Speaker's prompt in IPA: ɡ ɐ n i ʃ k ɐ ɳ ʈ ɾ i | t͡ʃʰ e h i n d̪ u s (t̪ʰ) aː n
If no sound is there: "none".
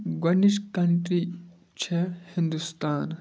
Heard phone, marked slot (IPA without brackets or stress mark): t̪